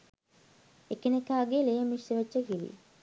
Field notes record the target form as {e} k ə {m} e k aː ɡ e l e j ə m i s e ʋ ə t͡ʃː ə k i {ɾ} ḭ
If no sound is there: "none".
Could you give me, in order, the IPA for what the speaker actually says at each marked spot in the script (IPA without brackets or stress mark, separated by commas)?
e, n, l